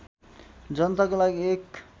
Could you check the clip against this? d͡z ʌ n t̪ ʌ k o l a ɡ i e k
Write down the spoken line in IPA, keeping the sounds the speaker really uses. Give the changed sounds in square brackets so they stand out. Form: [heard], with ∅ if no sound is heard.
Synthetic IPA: d͡z ʌ n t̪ [a] k o l a ɡ i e k